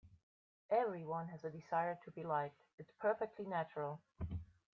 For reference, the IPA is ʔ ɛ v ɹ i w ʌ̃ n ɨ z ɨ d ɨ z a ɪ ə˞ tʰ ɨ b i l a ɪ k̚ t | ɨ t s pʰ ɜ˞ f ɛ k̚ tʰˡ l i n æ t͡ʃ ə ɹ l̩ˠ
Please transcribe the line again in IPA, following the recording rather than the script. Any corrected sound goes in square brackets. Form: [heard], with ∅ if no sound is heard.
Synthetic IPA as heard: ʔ ɛ v ɹ i w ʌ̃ n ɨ z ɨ d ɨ z a ɪ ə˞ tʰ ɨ b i l a ɪ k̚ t | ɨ t s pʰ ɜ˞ f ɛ k̚ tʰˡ l i n æ t͡ʃ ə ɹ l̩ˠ